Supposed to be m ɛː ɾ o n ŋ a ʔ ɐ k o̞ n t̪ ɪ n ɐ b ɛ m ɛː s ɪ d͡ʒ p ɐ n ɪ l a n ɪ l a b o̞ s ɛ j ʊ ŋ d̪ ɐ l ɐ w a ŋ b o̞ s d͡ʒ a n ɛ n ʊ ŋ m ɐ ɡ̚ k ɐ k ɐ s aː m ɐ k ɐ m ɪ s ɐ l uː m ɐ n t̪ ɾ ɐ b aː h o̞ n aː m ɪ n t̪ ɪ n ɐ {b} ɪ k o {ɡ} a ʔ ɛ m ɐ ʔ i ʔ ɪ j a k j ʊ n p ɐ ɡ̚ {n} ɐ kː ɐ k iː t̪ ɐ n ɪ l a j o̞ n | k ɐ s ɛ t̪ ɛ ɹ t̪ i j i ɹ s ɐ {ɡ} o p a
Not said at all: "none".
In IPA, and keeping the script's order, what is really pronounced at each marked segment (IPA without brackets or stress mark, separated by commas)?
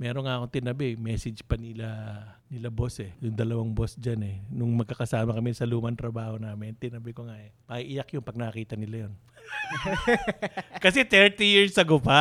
b, ŋ, n, ɡ